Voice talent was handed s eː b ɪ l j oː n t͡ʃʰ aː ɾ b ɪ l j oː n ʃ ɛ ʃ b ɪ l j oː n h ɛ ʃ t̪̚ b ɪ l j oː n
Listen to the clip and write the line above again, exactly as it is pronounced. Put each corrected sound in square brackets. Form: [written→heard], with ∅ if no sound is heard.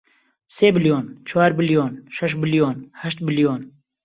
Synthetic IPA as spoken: s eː b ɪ l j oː n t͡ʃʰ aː ɾ b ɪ l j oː n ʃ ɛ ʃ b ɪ l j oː n h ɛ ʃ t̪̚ b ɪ l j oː n